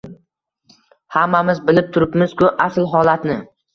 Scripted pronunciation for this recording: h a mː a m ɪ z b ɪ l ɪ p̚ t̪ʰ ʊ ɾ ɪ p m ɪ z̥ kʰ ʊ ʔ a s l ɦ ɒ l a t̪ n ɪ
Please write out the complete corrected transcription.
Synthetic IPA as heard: h a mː a m ɪ z b ɪ l ɪ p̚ t̪ʰ ʊ ɾ ɪ p m ɪ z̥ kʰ ʊ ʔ a s l ɦ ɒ l a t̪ n ɪ

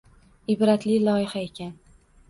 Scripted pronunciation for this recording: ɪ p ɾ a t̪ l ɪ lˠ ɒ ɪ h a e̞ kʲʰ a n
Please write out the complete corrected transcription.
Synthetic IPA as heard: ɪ b ɾ a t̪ l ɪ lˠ ɒ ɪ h a e̞ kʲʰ a n

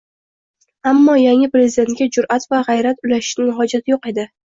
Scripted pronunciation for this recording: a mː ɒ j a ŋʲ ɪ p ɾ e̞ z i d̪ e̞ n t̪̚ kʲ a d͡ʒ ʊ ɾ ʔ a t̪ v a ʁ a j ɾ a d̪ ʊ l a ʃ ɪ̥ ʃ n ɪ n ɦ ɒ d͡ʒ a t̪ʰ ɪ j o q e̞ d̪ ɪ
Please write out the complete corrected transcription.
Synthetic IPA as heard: a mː ɒ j a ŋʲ ɪ p ɾ e̞ z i d̪ e̞ n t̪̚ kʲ a d͡ʒ ʊ ɾ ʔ a t̪ v a ʁ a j ɾ a t̪ ʊ l a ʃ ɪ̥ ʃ n ɪ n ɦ ɒ d͡ʒ a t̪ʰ ɪ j o q e̞ d̪ ɪ

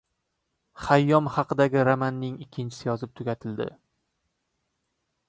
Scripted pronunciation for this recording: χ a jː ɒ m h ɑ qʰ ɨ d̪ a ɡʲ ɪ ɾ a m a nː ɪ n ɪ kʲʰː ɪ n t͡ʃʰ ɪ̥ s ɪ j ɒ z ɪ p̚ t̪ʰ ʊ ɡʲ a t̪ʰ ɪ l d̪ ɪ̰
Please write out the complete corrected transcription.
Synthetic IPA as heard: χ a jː ɒ m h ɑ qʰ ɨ d̪ a ɡʲ ɪ ɾ a m a nː ɪ ŋ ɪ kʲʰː ɪ n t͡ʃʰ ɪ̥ s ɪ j ɒ z ɪ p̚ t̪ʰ ʊ ɡʲ a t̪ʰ ɪ l d̪ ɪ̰

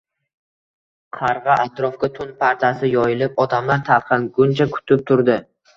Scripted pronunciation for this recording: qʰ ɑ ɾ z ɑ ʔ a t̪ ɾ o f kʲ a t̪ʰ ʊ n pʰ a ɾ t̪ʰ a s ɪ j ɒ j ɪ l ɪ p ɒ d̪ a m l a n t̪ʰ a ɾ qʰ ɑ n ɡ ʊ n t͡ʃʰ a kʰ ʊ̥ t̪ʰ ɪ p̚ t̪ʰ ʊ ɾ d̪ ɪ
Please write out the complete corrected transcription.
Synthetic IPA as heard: qʰ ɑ ɾ ʁ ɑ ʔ a t̪ ɾ ɒ f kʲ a t̪ʰ ʊ n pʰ a ɾ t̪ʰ a s ɪ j ɒ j ɪ l ɪ p ɒ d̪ a m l a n t̪ʰ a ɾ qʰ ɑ n ɡ ʊ n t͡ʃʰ a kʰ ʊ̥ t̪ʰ ɪ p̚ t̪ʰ ʊ ɾ d̪ ɪ

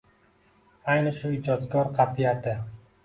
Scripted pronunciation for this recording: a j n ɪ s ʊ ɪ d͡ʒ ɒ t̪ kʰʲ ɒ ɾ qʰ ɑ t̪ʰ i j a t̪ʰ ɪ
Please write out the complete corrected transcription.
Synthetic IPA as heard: a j n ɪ ʃ ʊ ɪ d͡ʒ ɒ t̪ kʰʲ ɒ ɾ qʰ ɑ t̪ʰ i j a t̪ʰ ɪ

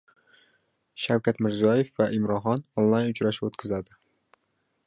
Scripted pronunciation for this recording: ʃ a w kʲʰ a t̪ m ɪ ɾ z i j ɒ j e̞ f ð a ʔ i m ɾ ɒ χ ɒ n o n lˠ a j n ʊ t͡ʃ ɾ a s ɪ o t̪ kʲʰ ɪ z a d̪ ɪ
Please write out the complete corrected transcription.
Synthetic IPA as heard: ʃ a w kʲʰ a t̪ m ɪ ɾ z i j ɒ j e̞ f v a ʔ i m ɾ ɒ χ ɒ n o n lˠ a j n ʊ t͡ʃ ɾ a ʃ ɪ o t̪ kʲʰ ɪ z a d̪ ɪ

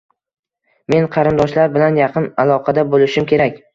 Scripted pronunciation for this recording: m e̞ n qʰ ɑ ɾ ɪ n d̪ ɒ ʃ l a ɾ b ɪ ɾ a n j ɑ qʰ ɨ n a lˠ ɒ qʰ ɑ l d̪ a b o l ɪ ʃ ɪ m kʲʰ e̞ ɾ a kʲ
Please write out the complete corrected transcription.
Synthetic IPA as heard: m e̞ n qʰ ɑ ɾ ɪ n d̪ ɒ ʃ l a ɾ b ɪ l a n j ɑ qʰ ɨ n a lˠ ɒ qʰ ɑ d̪ a b o l ɪ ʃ ɪ m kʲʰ e̞ ɾ a kʲ

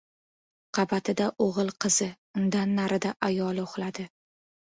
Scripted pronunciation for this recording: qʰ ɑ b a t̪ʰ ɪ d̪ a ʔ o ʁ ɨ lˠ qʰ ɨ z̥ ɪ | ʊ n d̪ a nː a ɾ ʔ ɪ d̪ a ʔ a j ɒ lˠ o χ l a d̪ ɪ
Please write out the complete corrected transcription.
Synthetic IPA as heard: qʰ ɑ b a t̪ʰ ɪ d̪ a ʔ o ʁ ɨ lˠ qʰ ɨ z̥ ɪ | ʊ n d̪ a nː a ɾ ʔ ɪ d̪ a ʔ a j ɒ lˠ o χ l a d̪ ɪ

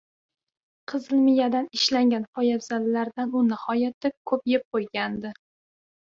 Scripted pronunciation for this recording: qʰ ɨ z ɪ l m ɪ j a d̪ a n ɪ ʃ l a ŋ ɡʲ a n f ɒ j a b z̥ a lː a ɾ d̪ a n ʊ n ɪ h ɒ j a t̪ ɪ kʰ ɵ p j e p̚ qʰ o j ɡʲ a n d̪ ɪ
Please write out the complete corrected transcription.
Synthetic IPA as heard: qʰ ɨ z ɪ l m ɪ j a d̪ a n ɪ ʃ l a ŋ ɡʲ a n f ɒ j a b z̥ a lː a ɾ d̪ a n ʊ n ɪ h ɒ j a t̪ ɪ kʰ ɵ p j e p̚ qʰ o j ɡʲ a n d̪ ɪ

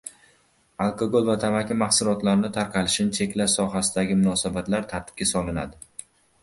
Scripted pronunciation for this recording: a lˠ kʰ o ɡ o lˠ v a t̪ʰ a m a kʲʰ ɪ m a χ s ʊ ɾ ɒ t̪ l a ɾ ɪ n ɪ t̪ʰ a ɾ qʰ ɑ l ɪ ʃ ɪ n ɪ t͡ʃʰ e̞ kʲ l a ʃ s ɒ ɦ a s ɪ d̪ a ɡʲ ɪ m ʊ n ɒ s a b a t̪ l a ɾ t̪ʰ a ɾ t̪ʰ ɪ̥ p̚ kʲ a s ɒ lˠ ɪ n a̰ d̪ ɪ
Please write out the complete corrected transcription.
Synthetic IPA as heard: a lˠ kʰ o ɡ o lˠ v a t̪ʰ a m a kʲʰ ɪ m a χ s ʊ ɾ ɒ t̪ l a ɾ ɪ n ɪ t̪ʰ a ɾ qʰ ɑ l ɪ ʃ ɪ n ɪ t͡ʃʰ e̞ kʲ l a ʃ s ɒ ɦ a s ɪ d̪ a ɡʲ ɪ m ʊ n ɒ s a b a t̪ l a ɾ t̪ʰ a ɾ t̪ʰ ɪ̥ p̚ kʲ a s ɒ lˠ ɪ n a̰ d̪ ɪ

